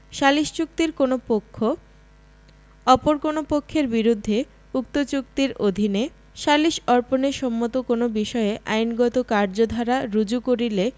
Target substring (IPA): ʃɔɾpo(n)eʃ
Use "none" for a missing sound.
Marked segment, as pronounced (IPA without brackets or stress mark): n